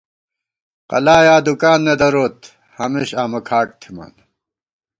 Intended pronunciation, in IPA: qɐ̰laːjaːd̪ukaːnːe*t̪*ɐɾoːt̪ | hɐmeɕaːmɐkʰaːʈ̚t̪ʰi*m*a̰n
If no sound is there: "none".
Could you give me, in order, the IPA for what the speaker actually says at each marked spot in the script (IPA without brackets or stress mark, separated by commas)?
d̪, m